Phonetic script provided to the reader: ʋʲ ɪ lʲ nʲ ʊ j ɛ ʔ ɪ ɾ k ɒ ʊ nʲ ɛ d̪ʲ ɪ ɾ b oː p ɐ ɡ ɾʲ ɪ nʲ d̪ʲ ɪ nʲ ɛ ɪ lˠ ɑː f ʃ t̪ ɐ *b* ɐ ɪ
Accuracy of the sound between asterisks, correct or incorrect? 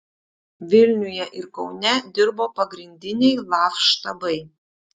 correct